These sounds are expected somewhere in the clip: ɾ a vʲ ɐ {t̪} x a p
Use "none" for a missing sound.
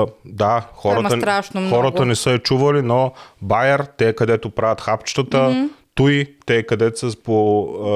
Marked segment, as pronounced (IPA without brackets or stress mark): t̪